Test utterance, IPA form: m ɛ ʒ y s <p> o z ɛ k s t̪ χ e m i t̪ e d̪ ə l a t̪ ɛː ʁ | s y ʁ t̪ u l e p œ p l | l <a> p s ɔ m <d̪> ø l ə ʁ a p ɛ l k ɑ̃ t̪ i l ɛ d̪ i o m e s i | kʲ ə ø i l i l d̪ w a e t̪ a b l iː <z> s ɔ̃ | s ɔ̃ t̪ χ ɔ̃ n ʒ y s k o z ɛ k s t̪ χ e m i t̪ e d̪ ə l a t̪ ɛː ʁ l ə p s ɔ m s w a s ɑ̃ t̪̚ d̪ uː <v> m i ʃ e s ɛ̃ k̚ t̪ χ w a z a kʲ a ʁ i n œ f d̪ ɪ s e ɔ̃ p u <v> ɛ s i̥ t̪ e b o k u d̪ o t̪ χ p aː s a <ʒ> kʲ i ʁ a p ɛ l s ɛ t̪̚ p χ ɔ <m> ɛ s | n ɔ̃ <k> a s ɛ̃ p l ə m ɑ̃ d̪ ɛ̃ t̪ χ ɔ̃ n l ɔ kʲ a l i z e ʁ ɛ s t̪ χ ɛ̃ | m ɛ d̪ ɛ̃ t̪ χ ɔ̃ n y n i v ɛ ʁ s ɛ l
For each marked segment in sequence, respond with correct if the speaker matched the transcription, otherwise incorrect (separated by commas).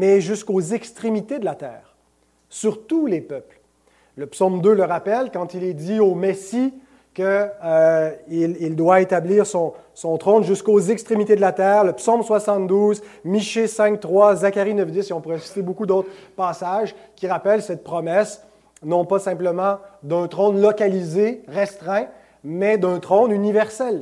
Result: incorrect, incorrect, correct, incorrect, incorrect, incorrect, correct, correct, incorrect